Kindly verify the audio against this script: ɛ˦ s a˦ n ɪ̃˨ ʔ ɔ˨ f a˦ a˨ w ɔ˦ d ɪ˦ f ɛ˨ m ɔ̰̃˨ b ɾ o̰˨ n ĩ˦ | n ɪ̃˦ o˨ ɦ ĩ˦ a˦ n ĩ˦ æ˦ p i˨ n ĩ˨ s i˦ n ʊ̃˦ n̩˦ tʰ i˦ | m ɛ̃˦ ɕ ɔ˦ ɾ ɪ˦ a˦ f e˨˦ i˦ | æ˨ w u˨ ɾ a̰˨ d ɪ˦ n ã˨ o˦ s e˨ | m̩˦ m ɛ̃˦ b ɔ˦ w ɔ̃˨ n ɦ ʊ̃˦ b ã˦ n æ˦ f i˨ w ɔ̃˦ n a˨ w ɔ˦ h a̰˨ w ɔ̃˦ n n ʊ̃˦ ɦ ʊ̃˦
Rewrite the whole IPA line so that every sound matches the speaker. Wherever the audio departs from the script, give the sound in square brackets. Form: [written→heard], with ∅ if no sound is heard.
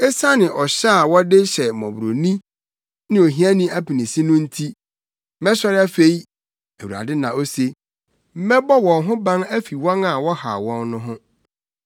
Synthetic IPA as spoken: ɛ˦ s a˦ n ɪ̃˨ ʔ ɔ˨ [f→ɕ] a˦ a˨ w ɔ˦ d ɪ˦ [f→ɕ] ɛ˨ m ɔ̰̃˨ b ɾ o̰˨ n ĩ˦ | n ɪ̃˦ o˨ ɦ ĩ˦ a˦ n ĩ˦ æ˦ p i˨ n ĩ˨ s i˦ n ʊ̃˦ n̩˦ tʰ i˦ | m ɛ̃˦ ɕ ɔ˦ ɾ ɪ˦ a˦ f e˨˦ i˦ | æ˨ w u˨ ɾ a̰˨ d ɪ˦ n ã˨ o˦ s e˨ | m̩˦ m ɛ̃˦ b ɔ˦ w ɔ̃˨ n ɦ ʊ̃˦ b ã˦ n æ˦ f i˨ w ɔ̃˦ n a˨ w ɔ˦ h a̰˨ w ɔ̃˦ n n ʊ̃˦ ɦ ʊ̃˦